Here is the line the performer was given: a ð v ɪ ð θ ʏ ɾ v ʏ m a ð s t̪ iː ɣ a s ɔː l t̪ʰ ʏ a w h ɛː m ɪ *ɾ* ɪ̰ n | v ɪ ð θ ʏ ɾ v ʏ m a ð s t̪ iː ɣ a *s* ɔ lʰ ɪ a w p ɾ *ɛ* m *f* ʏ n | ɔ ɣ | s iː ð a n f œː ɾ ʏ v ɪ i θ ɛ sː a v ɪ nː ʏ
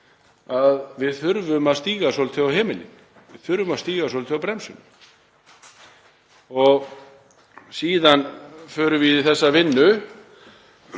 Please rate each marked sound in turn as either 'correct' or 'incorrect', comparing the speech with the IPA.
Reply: incorrect: l, correct, correct, incorrect: s

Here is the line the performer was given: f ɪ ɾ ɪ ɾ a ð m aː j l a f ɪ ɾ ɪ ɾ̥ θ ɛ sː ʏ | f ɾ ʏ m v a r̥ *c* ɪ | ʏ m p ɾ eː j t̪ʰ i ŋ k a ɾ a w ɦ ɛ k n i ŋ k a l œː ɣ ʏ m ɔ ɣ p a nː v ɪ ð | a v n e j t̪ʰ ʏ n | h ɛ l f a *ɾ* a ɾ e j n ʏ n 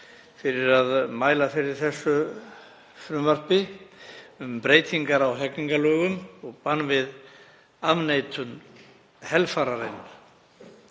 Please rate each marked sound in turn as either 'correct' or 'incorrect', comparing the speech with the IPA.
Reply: incorrect: p, correct

